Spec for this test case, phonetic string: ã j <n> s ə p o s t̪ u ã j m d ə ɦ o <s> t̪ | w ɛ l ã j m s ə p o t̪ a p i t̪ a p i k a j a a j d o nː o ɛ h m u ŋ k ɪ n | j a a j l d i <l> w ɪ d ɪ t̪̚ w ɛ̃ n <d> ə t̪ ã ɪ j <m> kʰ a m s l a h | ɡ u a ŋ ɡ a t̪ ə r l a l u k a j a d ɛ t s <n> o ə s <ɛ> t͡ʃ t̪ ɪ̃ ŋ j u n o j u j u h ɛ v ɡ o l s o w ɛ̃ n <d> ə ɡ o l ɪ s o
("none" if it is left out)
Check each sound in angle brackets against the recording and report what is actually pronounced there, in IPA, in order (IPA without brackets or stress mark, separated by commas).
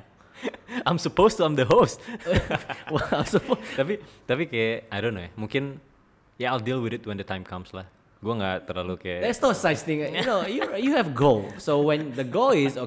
m, s, l, d, m, n, a, d